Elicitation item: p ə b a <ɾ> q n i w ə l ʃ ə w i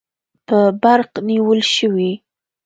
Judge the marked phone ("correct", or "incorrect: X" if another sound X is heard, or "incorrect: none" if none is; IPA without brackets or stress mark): correct